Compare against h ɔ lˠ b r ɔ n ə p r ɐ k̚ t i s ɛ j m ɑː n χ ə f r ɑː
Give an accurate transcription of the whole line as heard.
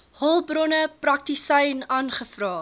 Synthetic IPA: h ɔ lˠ b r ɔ n ə p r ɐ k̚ t i s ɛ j n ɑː n χ ə f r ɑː